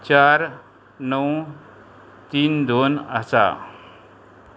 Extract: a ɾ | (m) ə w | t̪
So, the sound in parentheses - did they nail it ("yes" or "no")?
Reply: no